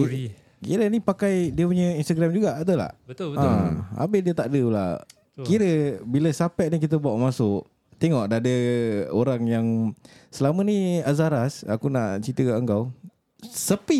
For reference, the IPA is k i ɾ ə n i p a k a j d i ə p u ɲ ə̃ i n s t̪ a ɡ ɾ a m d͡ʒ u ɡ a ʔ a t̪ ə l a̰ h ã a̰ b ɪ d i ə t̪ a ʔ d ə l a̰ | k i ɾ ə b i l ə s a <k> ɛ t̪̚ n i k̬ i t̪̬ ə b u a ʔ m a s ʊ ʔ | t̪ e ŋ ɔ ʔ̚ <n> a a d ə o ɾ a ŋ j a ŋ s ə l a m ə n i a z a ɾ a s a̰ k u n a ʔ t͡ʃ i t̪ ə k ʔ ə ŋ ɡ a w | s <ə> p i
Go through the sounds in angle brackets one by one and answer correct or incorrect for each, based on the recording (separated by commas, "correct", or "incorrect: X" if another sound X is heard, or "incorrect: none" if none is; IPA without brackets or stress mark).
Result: incorrect: p, incorrect: d, correct